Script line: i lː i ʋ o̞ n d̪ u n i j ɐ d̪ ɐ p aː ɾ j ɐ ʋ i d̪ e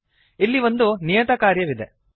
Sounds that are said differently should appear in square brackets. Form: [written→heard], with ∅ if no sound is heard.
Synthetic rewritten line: i lː i ʋ o̞ n d̪ u n i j ɐ [d̪→t̪] ɐ [p→k] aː ɾ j ɐ ʋ i d̪ e

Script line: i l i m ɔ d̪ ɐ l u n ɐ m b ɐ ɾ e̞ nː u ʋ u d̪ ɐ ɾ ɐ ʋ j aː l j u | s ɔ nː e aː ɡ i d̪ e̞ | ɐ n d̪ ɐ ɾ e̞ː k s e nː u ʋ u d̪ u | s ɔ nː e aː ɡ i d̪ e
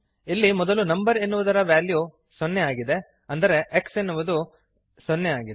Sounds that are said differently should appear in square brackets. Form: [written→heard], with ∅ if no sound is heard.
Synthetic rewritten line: i [l→lː] i m ɔ d̪ ɐ l u n ɐ m b ɐ ɾ e̞ nː u ʋ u d̪ ɐ ɾ ɐ ʋ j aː l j u | s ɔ nː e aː ɡ i d̪ e̞ | ɐ n d̪ ɐ ɾ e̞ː k s e nː u ʋ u d̪ u | s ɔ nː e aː ɡ i d̪ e

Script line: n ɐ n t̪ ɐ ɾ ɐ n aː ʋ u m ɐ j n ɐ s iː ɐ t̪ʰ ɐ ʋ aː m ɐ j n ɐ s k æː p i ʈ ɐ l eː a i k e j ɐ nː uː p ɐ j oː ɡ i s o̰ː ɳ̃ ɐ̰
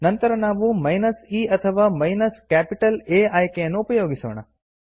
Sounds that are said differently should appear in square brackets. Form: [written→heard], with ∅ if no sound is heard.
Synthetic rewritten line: n ɐ n t̪ ɐ ɾ ɐ n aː ʋ u m ɐ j n ɐ s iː ɐ t̪ʰ ɐ ʋ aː m ɐ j n ɐ s k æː p i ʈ ɐ l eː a [i→j] k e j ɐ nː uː p ɐ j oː ɡ i s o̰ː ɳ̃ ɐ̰

